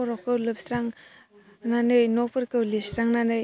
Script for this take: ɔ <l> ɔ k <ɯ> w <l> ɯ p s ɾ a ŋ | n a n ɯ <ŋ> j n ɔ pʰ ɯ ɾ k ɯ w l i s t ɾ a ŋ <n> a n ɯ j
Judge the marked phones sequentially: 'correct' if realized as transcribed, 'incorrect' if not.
incorrect: ɾ, correct, correct, incorrect: none, correct

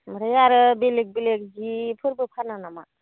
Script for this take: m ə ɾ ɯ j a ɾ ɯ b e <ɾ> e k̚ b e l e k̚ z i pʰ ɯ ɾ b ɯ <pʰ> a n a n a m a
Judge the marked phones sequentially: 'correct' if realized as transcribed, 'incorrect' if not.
incorrect: l, correct

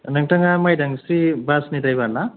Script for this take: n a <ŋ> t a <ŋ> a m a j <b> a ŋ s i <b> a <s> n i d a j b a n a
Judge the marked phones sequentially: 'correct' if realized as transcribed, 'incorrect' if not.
correct, correct, incorrect: d, correct, correct

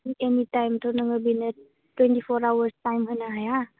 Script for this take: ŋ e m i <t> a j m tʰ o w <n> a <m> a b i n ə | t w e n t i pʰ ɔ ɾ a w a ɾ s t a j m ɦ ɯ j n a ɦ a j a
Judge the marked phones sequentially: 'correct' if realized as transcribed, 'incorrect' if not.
correct, correct, incorrect: ŋ

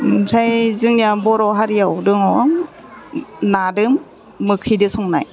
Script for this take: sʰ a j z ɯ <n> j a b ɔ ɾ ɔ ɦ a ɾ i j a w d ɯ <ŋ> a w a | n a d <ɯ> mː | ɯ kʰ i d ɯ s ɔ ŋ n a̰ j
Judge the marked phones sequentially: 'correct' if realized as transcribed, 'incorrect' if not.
incorrect: ŋ, correct, correct

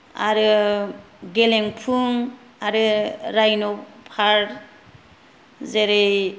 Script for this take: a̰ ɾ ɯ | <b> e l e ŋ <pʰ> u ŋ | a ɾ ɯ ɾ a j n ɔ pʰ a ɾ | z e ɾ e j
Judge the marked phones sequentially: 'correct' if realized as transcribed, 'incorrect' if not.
incorrect: ɡ, correct

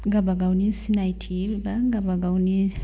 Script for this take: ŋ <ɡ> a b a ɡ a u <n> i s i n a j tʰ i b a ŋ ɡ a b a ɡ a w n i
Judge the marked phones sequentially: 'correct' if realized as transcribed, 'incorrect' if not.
correct, correct

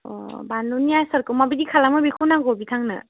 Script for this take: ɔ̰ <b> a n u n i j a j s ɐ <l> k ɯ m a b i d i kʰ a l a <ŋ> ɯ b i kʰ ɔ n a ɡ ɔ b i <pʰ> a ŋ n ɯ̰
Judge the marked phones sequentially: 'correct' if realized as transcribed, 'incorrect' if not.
correct, incorrect: ɾ, incorrect: m, incorrect: tʰ

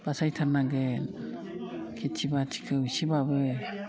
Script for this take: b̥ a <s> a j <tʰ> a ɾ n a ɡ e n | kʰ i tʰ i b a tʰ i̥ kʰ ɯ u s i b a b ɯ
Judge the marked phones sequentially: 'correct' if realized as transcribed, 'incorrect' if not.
correct, correct

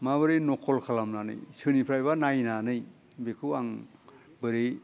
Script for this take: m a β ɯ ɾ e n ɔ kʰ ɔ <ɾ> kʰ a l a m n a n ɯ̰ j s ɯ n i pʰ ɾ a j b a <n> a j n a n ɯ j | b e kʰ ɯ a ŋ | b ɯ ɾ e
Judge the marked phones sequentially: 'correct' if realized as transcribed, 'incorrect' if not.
incorrect: l, correct

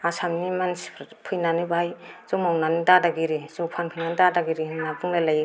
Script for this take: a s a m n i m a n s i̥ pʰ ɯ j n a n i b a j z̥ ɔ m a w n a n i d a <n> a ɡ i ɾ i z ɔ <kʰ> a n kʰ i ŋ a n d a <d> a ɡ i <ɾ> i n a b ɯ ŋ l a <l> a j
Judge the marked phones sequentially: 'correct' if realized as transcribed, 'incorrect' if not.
incorrect: d, incorrect: pʰ, correct, correct, correct

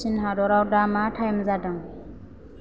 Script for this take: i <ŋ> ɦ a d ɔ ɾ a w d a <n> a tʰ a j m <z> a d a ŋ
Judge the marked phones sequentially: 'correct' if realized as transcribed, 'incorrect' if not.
incorrect: n, incorrect: m, correct

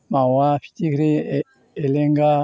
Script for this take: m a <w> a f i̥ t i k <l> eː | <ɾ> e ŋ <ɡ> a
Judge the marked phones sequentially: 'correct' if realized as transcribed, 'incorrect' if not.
correct, incorrect: ɾ, incorrect: l, correct

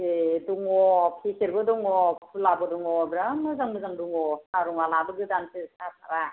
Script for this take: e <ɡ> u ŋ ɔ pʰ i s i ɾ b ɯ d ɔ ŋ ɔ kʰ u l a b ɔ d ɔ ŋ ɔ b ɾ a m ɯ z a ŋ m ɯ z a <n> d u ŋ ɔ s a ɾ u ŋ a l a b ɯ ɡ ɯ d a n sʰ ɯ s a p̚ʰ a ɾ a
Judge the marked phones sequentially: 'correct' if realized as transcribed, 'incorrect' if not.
incorrect: d, incorrect: ŋ

